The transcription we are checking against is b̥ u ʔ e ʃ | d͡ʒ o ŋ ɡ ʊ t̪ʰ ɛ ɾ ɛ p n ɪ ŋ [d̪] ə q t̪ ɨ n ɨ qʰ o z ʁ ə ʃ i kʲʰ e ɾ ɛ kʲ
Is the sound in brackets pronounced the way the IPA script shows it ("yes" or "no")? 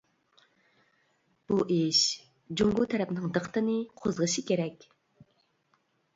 yes